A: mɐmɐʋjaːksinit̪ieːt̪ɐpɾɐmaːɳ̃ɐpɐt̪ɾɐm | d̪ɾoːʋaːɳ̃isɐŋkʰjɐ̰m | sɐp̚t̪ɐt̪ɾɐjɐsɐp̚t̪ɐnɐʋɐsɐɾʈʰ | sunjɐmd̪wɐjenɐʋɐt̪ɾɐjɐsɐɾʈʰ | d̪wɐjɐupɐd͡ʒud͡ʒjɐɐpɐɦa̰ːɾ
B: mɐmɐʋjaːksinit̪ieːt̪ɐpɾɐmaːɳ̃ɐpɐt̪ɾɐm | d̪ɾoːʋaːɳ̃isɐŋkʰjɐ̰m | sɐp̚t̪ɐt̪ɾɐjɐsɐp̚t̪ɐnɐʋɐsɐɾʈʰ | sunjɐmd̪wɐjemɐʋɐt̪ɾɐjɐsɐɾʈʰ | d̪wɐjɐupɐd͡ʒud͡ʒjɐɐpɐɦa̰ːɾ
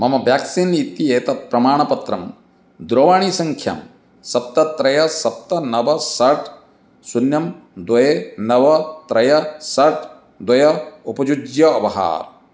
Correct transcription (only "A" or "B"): A